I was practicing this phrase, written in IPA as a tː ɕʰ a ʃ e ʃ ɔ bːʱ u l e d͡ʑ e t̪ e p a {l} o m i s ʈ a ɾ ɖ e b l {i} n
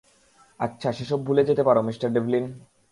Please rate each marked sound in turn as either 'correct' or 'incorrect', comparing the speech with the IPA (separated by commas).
incorrect, correct